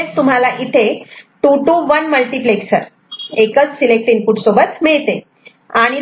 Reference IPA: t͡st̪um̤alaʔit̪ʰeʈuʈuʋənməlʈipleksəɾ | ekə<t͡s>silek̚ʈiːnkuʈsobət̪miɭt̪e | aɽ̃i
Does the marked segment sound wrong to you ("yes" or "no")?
no